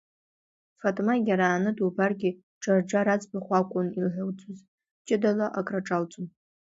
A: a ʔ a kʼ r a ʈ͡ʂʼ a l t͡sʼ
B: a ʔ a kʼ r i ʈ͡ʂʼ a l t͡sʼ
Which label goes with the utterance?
A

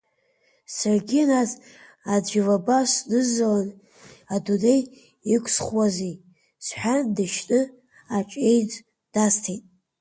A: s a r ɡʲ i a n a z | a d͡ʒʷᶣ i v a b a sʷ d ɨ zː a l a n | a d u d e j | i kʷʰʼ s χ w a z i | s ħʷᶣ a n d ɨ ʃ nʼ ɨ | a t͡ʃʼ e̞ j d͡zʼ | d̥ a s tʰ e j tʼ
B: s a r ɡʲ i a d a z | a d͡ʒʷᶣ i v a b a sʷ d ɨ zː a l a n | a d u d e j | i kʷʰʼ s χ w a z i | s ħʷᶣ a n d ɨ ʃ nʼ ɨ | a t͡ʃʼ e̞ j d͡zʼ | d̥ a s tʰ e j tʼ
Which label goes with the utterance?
A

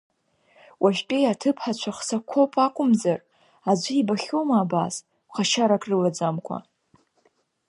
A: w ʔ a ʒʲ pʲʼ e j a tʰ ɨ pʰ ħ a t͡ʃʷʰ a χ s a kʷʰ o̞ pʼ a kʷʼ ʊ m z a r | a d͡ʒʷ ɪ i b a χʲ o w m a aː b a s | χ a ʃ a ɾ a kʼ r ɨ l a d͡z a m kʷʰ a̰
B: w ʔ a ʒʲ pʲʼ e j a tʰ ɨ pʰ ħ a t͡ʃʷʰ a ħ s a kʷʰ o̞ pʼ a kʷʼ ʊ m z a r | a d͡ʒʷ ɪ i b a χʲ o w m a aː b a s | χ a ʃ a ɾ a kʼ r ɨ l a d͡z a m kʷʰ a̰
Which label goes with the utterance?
A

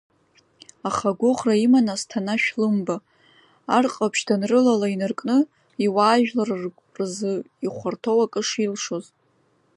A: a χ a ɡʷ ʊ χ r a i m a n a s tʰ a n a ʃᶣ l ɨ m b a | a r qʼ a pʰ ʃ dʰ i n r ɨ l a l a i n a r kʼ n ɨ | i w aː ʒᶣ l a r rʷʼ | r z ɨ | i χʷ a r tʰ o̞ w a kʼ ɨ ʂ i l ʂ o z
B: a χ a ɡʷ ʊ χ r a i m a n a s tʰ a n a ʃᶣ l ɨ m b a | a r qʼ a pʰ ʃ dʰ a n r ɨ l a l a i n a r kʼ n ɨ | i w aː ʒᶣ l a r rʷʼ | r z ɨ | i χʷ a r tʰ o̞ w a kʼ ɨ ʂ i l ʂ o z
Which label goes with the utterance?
B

